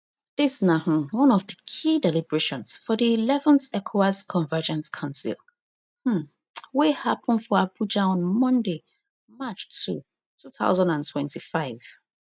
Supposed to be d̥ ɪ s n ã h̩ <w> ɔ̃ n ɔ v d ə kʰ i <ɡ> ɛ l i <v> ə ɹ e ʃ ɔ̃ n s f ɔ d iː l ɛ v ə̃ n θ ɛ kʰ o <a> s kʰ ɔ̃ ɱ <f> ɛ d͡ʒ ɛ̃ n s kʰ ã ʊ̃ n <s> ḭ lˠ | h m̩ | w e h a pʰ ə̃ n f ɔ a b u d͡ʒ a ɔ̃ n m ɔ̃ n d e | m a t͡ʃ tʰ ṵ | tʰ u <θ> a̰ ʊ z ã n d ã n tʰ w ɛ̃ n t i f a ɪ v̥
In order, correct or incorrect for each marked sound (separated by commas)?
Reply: correct, incorrect, incorrect, correct, incorrect, correct, correct